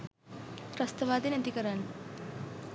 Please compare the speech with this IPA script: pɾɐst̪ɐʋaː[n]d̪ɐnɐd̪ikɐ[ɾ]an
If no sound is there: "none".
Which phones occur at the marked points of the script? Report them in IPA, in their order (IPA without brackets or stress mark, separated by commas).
none, ɾ